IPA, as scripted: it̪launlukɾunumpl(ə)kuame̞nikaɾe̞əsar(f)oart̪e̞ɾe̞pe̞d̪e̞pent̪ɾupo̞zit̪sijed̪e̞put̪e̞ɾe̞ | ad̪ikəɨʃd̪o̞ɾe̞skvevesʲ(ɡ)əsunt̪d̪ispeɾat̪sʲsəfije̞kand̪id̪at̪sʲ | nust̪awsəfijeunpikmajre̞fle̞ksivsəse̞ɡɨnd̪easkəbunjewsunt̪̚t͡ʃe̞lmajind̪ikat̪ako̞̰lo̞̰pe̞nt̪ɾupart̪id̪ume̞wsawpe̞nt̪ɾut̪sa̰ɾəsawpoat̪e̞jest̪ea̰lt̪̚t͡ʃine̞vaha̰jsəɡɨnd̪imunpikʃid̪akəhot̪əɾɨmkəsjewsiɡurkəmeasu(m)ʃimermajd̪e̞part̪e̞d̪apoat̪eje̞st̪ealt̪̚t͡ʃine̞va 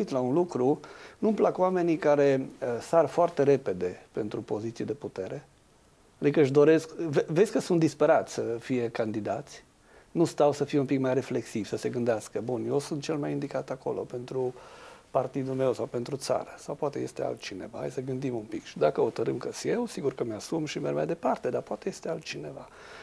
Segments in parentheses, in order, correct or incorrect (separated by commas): incorrect, correct, incorrect, correct